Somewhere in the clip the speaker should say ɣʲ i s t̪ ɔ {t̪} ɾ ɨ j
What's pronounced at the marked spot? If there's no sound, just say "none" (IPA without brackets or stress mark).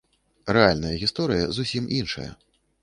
none